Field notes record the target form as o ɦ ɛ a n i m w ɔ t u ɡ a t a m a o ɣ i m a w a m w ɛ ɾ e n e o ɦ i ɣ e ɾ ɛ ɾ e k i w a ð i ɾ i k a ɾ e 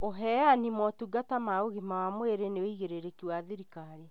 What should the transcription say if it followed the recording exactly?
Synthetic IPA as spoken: o ɦ ɛ a n i m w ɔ t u ɡ a t a m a o ɣ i m a w a m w e ɾ e n e o i ɣ e ɾ e ɾ e k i w a ð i ɾ i k a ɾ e